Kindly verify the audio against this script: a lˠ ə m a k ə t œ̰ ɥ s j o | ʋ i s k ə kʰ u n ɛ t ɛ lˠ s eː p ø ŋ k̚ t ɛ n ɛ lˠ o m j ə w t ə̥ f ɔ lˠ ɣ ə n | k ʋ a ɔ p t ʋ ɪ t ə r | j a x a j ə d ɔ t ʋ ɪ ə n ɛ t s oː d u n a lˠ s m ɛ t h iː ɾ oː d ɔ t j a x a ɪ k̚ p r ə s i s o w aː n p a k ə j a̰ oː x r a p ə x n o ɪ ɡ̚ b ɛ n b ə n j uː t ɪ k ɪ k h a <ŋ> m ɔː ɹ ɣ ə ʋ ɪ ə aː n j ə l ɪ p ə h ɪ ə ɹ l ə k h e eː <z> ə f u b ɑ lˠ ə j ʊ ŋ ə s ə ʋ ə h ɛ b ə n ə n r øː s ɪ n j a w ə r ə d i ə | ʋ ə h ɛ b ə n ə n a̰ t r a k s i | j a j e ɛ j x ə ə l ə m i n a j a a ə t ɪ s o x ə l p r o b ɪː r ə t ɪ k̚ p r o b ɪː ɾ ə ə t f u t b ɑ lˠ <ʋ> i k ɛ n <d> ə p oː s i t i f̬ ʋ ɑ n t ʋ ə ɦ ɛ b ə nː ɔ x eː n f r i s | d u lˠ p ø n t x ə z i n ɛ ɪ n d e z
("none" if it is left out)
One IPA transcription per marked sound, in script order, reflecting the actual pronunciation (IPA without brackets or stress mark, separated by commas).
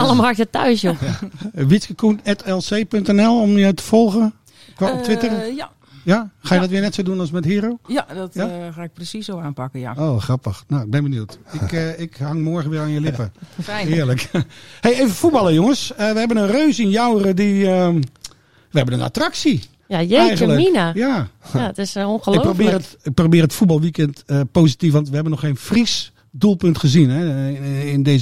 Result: ŋ, v, ʋ, t